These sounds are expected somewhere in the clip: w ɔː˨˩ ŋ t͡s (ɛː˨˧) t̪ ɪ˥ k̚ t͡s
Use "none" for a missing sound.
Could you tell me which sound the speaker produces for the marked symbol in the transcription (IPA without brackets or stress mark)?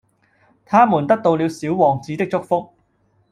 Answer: iː˨˧